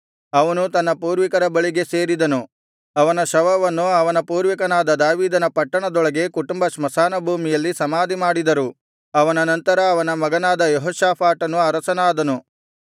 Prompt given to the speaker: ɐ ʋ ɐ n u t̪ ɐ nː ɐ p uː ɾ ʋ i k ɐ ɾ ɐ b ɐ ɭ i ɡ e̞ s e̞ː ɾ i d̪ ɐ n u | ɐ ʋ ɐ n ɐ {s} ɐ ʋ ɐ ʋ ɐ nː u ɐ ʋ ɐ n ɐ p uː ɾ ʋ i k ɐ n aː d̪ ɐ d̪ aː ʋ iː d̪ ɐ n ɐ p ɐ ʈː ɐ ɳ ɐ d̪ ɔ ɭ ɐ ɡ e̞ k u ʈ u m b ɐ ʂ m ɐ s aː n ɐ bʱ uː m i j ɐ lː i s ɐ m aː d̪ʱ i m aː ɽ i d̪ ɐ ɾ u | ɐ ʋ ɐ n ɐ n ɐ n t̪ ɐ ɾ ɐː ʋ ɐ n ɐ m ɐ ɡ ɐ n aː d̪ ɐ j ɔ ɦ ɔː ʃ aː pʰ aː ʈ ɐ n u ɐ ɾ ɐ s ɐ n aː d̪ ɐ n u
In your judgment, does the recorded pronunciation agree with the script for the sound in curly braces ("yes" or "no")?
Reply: no